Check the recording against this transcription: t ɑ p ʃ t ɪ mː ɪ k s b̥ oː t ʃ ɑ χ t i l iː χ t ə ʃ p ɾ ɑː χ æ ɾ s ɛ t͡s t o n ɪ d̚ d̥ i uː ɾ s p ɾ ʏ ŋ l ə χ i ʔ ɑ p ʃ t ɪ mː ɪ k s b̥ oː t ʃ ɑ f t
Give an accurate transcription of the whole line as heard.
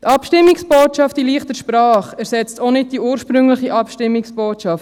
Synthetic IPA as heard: t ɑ p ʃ t ɪ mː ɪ k s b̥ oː t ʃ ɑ f t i l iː χ t ə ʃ p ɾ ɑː χ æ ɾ s ɛ t͡s t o n ɪ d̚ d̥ i uː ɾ ʃ p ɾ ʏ ŋ l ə χ i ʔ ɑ p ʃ t ɪ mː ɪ k s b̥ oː t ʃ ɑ f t